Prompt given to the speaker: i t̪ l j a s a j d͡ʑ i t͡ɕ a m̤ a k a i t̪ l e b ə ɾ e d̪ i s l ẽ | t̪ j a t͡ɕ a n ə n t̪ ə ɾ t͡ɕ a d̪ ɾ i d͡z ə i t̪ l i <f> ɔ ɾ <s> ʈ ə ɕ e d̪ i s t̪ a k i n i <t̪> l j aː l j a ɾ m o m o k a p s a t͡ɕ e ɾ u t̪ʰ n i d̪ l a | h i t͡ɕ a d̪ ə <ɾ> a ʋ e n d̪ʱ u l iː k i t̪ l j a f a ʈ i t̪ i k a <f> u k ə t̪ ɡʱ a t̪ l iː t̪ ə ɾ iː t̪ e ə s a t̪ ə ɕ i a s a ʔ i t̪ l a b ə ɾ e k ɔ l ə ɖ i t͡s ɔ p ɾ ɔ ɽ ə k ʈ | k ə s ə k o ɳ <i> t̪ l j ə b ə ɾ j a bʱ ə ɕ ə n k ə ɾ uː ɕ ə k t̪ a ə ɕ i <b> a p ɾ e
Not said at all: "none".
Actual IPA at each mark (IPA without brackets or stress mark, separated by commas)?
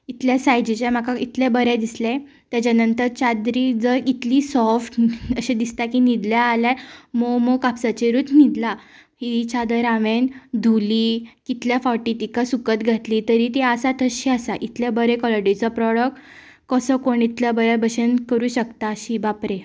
s, f, d̪, ɾ, s, i, b